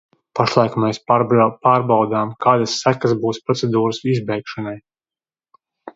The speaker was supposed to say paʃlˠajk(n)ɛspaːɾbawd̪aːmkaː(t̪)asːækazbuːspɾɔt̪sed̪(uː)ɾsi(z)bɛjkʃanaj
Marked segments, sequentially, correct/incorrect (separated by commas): incorrect, incorrect, correct, correct